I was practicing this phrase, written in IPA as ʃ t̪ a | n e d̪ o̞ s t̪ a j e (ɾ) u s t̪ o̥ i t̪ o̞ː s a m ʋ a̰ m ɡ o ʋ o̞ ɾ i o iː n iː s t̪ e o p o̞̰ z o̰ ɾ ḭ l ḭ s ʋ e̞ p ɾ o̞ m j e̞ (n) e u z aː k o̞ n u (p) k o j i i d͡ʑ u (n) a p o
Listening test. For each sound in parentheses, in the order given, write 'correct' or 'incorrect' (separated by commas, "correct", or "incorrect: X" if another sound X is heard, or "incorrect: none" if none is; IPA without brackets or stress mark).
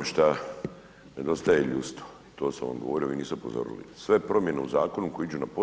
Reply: incorrect: ʎ, correct, incorrect: none, correct